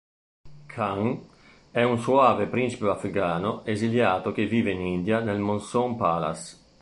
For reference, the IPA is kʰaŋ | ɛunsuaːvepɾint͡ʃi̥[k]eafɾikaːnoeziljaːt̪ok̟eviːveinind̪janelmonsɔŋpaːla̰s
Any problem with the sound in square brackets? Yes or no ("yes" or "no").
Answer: yes